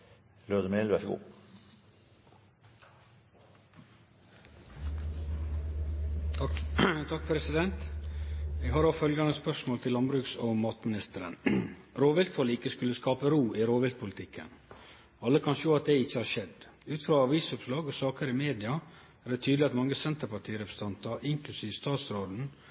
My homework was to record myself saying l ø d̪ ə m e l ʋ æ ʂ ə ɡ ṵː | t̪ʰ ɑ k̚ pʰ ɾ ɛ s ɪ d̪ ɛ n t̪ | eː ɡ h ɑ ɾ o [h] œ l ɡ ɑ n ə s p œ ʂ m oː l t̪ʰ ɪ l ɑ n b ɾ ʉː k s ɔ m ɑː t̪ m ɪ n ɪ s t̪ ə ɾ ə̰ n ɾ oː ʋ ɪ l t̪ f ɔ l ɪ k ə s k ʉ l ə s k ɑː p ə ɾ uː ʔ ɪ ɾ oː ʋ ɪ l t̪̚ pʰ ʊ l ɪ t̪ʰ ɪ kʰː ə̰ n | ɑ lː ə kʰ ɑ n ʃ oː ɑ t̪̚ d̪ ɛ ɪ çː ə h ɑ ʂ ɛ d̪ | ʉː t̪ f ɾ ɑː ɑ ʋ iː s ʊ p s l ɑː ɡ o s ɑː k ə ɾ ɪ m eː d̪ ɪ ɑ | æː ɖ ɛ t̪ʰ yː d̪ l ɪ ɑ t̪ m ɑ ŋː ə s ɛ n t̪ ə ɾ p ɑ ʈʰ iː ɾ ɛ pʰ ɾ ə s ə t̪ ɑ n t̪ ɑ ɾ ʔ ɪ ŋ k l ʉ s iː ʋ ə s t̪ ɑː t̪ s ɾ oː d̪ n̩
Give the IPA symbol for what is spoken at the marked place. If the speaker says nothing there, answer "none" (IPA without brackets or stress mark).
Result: f